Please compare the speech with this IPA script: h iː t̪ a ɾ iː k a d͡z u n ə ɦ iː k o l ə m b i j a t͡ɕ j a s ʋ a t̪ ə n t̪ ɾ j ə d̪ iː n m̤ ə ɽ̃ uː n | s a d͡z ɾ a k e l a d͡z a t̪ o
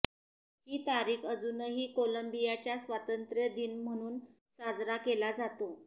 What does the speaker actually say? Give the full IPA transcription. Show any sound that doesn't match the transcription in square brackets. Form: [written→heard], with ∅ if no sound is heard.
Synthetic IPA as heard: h iː t̪ a ɾ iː k [a→ə] d͡z u n ə ɦ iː k o l ə m b i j a t͡ɕ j a s ʋ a t̪ ə n t̪ ɾ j ə d̪ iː n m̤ ə ɽ̃ uː n | s a d͡z ɾ a k e l a d͡z a t̪ o